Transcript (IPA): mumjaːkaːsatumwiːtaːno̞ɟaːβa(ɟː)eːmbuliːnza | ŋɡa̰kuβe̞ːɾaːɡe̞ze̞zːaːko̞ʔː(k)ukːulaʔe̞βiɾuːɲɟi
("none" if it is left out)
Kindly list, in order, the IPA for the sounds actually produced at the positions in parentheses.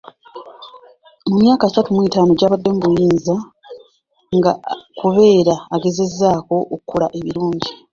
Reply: dː, k

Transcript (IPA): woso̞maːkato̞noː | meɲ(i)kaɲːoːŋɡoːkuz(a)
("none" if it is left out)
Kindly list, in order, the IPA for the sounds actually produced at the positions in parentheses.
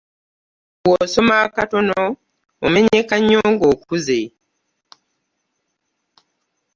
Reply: e, e

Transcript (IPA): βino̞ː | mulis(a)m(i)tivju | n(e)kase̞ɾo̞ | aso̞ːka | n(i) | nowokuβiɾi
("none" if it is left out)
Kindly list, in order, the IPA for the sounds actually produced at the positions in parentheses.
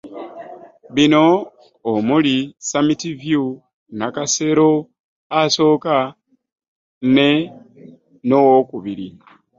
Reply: a, i, a, e

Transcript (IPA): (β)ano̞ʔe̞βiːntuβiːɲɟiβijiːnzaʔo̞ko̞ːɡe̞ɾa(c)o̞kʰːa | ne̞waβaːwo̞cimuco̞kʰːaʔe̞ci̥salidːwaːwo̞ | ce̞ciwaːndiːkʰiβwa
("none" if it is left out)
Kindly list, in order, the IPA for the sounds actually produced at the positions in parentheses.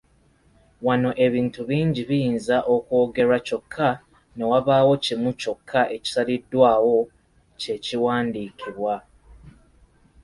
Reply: w, c

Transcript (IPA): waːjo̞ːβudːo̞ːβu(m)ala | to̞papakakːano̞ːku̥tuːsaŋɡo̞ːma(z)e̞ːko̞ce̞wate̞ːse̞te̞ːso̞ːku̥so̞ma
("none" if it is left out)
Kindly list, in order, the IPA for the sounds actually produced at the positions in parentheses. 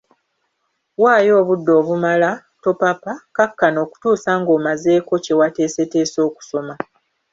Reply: m, z

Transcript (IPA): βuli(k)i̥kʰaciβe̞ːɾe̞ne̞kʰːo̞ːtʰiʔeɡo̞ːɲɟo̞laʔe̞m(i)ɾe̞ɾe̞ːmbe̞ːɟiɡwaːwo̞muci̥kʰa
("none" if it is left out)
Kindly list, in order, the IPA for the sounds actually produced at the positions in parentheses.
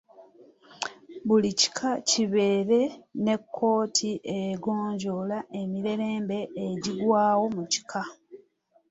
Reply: c, i

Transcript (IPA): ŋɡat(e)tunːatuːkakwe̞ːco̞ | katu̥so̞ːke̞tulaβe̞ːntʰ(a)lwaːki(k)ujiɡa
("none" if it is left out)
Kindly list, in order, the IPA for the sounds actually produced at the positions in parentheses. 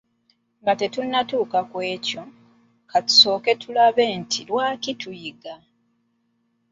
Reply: e, i, t

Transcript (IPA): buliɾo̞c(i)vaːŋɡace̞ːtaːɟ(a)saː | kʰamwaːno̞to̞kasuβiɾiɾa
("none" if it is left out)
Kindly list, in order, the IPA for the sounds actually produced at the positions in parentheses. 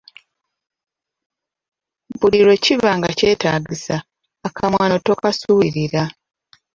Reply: i, i

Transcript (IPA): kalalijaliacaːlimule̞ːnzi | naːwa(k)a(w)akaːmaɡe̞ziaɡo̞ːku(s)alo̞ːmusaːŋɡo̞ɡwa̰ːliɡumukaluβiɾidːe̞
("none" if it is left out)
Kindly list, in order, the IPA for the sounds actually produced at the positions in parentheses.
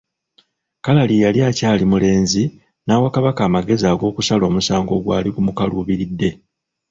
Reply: k, β, s

